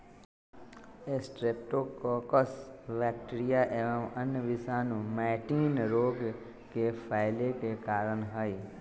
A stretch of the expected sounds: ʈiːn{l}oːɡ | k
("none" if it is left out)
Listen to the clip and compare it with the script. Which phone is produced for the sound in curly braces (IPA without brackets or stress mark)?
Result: ɾ